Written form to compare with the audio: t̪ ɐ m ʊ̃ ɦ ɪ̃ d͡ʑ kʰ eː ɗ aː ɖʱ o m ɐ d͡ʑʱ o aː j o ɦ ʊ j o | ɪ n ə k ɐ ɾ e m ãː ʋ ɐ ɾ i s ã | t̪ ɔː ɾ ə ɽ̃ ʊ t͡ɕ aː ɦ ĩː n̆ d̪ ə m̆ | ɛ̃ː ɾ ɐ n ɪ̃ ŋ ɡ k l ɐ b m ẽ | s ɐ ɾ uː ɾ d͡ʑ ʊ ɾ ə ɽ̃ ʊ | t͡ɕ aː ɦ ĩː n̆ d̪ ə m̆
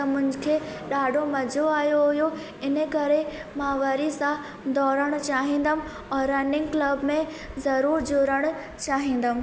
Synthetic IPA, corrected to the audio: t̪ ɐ m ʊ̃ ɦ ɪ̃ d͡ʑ kʰ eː ɗ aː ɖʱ o m ɐ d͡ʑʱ o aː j o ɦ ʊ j o | ɪ n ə k ɐ ɾ e m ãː ʋ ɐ ɾ i s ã | d̪ ɔː ɾ ə ɽ̃ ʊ t͡ɕ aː ɦ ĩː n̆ d̪ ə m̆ | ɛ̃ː ɾ ɐ n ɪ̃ ŋ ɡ k l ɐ b m ẽ | z ɐ ɾ uː ɾ d͡ʑ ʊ ɾ ə ɽ̃ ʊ | t͡ɕ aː ɦ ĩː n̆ d̪ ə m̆